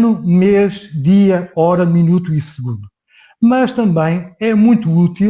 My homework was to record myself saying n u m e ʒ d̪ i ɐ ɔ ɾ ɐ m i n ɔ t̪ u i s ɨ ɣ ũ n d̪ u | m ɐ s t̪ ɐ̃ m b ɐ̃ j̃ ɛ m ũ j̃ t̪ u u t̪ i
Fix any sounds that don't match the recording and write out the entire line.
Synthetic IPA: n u m e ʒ d̪ i ɐ ɔ ɾ ɐ m i n u t̪ u i s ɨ ɣ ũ n d̪ u | m ɐ ʃ t̪ ɐ̃ m b ɐ̃ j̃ ɛ m ũ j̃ t̪ u u t̪ i